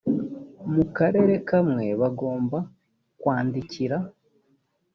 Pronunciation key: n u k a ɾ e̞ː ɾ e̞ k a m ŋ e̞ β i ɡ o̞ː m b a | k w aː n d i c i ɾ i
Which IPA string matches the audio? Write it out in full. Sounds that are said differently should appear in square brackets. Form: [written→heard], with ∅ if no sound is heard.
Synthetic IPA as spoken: [n→m] u k a ɾ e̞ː ɾ e̞ k a m ŋ e̞ β [i→a] ɡ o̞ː m b a | k w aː n d i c i ɾ [i→a]